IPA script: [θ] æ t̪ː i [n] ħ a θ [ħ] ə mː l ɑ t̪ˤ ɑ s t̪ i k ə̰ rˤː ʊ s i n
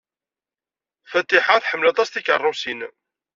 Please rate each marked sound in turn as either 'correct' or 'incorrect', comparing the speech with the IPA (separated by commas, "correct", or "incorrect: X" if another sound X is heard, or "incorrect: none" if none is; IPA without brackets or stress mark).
incorrect: f, incorrect: none, correct